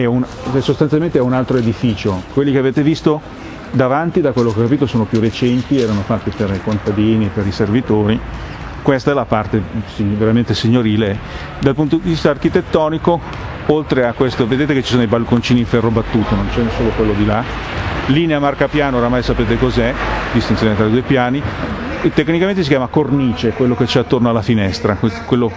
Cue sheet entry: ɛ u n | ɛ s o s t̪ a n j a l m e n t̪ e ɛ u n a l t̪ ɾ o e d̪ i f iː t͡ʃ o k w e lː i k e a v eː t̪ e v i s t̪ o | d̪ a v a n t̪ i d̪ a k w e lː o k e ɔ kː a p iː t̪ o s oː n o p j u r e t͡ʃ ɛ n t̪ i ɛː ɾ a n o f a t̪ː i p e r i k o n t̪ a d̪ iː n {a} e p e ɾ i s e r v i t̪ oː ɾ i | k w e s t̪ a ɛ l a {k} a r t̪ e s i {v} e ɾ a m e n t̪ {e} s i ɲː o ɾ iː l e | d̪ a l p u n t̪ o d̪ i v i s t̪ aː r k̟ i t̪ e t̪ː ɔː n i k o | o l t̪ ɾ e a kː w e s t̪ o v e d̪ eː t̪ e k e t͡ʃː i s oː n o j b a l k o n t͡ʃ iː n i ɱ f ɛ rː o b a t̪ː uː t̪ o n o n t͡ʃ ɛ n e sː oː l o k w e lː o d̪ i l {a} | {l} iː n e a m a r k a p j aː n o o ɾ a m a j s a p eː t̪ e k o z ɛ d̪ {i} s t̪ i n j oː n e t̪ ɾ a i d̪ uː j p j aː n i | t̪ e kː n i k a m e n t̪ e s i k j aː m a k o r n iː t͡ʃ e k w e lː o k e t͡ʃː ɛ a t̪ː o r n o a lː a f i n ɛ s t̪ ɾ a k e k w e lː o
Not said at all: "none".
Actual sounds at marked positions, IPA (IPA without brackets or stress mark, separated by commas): i, p, v, e, a, l, i